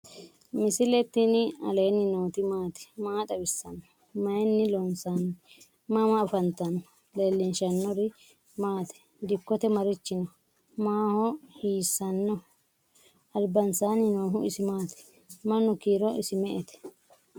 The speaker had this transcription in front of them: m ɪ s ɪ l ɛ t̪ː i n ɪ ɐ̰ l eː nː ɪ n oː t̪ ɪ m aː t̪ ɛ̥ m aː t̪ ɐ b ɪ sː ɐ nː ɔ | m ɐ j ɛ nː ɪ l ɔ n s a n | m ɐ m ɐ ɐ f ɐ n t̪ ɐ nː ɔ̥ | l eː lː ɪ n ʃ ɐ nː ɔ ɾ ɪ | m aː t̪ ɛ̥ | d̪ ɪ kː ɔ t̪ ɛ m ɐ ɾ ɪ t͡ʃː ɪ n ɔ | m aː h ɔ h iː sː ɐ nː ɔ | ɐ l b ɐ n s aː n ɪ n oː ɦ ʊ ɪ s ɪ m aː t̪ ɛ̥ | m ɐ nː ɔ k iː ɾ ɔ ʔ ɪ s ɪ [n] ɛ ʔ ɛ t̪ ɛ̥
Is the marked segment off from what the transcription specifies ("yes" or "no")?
yes